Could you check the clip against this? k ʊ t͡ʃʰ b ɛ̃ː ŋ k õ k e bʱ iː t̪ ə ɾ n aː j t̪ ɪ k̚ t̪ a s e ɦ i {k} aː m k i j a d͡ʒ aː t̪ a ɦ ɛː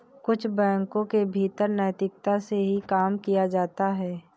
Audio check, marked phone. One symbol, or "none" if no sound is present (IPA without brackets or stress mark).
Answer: k